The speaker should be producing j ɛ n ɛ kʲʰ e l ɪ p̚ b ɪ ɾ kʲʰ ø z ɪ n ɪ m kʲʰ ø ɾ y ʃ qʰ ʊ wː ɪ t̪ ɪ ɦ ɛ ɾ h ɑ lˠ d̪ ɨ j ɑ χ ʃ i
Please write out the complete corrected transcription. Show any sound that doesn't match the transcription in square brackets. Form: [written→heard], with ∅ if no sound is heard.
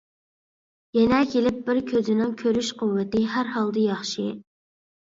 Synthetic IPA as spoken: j ɛ n ɛ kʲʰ e l ɪ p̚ b ɪ ɾ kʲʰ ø z ɪ n ɪ [m→ŋ] kʲʰ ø ɾ y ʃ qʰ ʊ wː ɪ t̪ ɪ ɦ [ɛ→æ] ɾ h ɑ lˠ d̪ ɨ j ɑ χ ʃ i